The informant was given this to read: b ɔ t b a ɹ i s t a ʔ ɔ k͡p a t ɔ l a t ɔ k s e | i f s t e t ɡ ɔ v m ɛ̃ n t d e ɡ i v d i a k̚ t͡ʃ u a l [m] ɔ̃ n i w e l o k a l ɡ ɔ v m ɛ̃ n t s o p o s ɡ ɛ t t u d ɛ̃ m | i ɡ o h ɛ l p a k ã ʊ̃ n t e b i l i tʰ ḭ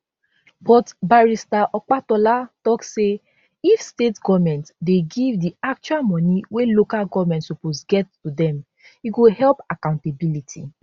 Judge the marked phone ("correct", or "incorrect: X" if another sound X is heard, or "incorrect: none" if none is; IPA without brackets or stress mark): correct